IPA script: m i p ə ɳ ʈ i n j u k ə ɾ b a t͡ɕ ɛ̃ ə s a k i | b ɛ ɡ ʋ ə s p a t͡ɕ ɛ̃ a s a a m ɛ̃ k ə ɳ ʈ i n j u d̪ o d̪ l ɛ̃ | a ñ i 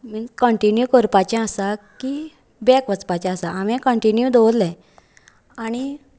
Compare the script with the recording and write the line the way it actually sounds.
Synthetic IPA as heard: m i k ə ɳ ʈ i n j u k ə ɾ p a t͡ɕ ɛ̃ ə s a k i | b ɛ k ʋ ə t͡s p a t͡ɕ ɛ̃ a s a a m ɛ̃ k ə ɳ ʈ i n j u d̪ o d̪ l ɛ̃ | a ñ i